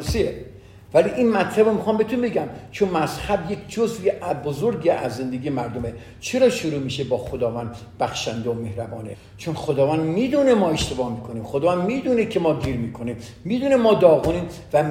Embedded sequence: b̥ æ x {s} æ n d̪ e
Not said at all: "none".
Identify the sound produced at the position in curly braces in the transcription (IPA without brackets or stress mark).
ʃ